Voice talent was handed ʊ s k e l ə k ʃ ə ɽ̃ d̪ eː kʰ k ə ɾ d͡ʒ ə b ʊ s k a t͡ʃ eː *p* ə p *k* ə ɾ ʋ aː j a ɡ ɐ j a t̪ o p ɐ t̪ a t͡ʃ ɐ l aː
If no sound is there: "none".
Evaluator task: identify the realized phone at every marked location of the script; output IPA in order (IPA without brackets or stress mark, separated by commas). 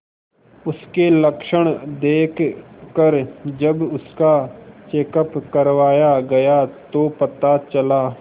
k, k